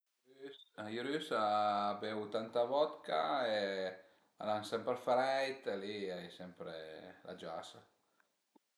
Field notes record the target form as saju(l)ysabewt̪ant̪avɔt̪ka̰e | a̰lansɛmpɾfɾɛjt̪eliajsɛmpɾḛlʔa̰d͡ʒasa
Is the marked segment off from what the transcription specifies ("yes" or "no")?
yes